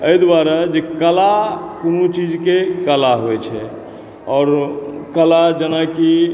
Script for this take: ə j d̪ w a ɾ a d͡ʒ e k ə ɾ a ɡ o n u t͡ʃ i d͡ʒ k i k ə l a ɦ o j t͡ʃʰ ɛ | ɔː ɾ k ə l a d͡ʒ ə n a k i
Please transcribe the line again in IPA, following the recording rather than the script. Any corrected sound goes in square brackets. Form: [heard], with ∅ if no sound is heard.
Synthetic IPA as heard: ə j d̪ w a ɾ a d͡ʒ e k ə [l] a [k] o n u t͡ʃ i d͡ʒ k [e] k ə l a ɦ o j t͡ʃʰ ɛ | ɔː ɾ k ə l a d͡ʒ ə n a k i